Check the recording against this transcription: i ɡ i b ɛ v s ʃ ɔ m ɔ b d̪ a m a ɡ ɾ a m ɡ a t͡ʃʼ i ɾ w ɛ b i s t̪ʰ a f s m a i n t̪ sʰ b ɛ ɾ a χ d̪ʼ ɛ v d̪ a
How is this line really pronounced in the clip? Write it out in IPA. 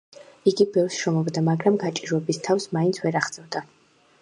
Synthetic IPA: i ɡ i b ɛ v s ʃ ɔ m ɔ b d̪ a m a ɡ ɾ a m ɡ a t͡ʃʼ i ɾ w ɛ b i s t̪ʰ a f s m a i n t̪ sʰ v ɛ ɾ a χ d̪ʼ ɛ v d̪ a